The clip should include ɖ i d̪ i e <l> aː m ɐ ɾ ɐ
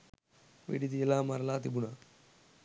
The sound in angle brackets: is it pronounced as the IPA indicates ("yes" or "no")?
yes